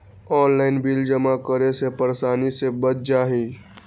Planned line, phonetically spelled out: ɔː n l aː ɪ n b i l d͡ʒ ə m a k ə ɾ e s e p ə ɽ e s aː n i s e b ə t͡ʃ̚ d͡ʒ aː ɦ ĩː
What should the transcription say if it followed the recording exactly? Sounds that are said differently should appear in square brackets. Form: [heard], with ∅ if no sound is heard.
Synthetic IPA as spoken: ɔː n l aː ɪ n b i l d͡ʒ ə m a k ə ɾ e s e p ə [ɾ] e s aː n i s e b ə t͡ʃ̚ d͡ʒ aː ɦ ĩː